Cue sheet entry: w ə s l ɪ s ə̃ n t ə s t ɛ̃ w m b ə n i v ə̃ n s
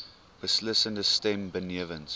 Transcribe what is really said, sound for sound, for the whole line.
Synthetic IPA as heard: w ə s l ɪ s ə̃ n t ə s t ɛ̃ m b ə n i v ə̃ n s